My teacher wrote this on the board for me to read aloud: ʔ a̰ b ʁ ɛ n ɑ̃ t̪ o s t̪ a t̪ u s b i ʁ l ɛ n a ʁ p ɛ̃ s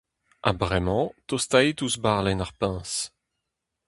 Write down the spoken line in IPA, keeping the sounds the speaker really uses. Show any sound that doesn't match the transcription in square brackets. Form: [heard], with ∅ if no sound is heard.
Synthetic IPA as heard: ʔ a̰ b ʁ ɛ [m] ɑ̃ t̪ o s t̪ a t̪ u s b [a] ʁ l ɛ n a ʁ p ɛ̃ s

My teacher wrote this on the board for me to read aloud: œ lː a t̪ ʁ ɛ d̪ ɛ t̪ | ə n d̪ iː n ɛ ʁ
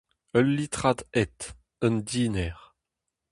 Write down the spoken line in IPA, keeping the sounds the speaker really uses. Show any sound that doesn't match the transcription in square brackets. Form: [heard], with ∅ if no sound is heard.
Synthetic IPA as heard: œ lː [i] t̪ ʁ [a] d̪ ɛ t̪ | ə n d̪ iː n ɛ ʁ

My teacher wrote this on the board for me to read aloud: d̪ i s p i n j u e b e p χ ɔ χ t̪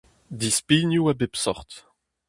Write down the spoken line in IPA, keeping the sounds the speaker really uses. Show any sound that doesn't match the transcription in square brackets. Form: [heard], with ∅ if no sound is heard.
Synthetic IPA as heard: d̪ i s p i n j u [a] b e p [s] ɔ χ t̪

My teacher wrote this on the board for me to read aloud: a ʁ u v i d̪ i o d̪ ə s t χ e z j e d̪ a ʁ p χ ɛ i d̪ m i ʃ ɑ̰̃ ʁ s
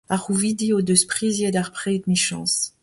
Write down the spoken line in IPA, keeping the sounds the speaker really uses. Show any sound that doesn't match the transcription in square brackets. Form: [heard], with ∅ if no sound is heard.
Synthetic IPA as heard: a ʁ u v i d̪ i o d̪ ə s [p] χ [i] z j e d̪ a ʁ p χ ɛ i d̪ m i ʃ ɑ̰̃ [∅] s

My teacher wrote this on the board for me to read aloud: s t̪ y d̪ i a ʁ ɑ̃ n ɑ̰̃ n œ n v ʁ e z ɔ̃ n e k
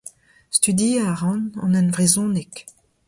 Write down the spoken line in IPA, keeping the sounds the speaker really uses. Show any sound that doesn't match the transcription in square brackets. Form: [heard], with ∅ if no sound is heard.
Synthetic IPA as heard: s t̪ y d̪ i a ʁ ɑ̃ n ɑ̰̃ n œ n v ʁ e z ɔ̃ n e k

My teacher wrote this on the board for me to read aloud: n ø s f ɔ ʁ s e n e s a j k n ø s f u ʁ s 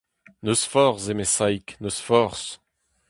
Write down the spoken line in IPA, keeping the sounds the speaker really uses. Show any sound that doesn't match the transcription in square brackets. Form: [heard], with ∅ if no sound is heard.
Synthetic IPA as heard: n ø s f ɔ ʁ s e [m] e s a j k n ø s f [ɔ] ʁ s

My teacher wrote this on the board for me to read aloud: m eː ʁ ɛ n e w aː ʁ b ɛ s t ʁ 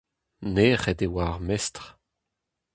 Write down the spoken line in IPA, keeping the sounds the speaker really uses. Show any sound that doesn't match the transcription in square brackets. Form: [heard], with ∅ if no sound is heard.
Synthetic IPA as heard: [n] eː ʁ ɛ [d] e w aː ʁ [m] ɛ s t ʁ

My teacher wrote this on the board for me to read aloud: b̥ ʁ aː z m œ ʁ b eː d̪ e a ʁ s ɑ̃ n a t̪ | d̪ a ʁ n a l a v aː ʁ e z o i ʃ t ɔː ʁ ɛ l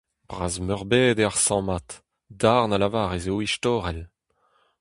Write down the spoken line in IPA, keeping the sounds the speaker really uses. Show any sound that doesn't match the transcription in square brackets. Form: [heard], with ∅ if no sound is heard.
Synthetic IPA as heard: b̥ ʁ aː z m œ ʁ b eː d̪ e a ʁ s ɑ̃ [m] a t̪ | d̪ a ʁ n a l a v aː ʁ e z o i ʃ t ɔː ʁ ɛ l

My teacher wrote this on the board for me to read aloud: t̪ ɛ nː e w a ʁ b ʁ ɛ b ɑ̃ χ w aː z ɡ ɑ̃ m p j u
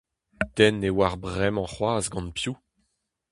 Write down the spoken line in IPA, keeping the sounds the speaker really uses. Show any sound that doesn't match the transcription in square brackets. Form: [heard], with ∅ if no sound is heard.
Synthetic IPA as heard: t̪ ɛ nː e w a ʁ b ʁ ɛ [m] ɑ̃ χ w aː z ɡ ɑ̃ [n] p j u

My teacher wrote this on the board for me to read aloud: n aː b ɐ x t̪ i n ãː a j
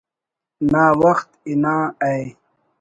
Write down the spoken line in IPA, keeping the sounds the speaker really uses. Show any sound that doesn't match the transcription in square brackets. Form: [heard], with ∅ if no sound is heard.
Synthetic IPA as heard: n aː [w] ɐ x t̪ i n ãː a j

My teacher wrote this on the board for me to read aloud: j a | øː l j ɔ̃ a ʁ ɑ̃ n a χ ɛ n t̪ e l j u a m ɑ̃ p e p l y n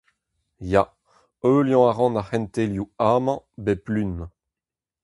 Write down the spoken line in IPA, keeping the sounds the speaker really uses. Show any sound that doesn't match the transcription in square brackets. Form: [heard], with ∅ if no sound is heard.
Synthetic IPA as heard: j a | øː l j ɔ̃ a ʁ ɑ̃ n a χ ɛ n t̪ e l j u a m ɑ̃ [b] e p l y n

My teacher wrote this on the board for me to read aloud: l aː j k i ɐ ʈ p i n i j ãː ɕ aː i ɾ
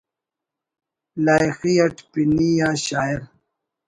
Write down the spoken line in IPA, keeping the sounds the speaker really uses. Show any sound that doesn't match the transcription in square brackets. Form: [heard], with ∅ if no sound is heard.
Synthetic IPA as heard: l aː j [x] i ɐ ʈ p i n i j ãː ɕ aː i ɾ

